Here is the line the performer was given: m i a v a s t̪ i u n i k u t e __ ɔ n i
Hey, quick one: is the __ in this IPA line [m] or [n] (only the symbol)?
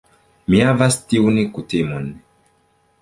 m